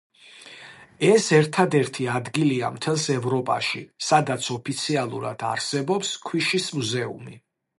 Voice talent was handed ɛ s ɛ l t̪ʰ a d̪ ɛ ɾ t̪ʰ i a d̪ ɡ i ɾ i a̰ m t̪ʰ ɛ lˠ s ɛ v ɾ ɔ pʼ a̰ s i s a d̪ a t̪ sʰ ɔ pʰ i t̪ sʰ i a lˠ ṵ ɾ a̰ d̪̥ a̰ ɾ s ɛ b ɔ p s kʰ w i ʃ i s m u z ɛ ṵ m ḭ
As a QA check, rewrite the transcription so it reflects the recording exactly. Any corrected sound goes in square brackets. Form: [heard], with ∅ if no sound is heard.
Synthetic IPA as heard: ɛ s ɛ [ɾ] t̪ʰ a d̪ ɛ ɾ t̪ʰ i a d̪ ɡ i [l] i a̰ m t̪ʰ ɛ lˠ s ɛ v ɾ ɔ pʼ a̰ [ʃ] i s a d̪ a t̪ sʰ ɔ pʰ i t̪ sʰ i a lˠ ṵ ɾ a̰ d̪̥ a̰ ɾ s ɛ b ɔ p s kʰ w i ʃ i s m u z ɛ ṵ m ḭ